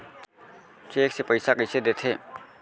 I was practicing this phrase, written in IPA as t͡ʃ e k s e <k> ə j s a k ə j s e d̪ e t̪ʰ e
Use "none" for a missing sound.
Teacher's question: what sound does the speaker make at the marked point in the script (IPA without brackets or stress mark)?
p